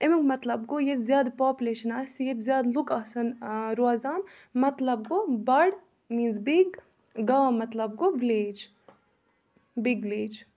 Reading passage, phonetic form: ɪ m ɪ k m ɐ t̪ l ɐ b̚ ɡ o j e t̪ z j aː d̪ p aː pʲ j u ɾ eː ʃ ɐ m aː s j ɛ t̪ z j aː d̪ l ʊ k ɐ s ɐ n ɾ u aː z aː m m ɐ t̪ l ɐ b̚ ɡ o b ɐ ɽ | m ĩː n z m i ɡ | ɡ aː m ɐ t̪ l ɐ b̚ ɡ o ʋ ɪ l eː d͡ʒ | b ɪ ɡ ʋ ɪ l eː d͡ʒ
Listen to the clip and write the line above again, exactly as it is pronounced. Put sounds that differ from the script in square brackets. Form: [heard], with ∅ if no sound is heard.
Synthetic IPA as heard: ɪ m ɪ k m ɐ t̪ l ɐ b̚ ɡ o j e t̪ z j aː d̪ p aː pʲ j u [l] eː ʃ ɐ [n] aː s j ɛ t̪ z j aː d̪ l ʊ k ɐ s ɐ n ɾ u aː z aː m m ɐ t̪ l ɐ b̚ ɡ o b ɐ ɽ | m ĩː n z [b] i ɡ | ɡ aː m ɐ t̪ l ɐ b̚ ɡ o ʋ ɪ l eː d͡ʒ | b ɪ ɡ ʋ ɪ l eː d͡ʒ